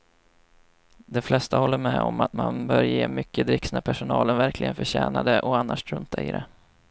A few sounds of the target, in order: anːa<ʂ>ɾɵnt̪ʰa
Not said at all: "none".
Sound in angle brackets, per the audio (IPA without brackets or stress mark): ʂ